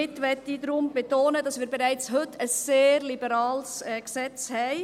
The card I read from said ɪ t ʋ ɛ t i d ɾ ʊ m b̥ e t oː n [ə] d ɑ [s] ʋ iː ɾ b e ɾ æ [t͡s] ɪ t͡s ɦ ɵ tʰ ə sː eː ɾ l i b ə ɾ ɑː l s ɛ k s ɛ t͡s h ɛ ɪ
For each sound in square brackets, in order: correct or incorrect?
correct, correct, incorrect: none

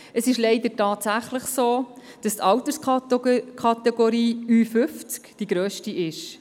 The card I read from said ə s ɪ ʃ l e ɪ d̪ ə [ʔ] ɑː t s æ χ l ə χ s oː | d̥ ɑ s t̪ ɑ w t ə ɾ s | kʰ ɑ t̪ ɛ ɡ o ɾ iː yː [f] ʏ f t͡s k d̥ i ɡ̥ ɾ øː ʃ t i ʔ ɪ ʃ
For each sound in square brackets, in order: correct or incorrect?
incorrect: t, correct

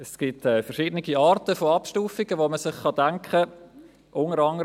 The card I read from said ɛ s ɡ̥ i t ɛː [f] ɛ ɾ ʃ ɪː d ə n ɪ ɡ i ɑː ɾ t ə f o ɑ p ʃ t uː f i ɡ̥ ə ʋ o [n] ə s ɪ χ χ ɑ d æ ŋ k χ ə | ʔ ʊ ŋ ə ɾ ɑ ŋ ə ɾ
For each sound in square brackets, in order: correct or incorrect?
correct, incorrect: m

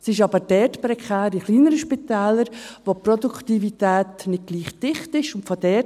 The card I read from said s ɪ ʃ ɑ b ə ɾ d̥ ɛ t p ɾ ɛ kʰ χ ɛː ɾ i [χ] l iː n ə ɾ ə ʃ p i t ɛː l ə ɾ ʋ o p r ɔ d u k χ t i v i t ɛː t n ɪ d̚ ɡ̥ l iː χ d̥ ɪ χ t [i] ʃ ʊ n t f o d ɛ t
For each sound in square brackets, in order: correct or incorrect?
correct, incorrect: ɪ

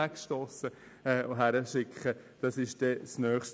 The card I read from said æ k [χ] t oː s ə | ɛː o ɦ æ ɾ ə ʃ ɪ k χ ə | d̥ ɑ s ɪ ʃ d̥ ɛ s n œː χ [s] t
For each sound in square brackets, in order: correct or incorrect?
incorrect: ʃ, incorrect: ʃ

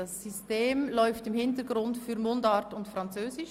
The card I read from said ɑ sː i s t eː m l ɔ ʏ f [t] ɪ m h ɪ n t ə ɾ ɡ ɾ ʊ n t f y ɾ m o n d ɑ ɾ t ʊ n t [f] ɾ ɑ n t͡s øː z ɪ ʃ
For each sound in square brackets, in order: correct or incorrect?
correct, correct

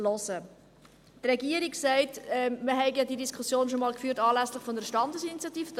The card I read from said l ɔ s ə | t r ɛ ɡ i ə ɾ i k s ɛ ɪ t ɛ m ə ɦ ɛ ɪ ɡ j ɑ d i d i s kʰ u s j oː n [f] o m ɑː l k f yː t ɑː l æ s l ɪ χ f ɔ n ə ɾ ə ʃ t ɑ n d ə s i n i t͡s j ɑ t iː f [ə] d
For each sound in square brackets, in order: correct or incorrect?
incorrect: ʃ, correct

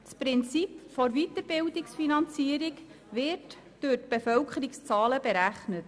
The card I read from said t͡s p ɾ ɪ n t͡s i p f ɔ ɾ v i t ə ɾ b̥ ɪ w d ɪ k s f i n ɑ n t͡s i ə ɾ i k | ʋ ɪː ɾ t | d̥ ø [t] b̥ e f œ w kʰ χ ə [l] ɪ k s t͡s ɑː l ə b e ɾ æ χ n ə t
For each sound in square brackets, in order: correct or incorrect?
correct, incorrect: ɾ

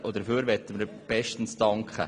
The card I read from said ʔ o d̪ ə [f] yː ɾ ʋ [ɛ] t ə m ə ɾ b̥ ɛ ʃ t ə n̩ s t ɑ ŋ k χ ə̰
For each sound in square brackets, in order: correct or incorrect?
correct, correct

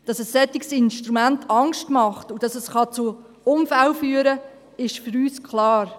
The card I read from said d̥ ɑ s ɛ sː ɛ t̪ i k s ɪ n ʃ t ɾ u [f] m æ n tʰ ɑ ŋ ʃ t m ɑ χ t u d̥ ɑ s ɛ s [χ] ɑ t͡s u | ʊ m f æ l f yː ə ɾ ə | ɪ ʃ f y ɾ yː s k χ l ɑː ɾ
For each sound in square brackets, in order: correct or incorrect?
incorrect: none, correct

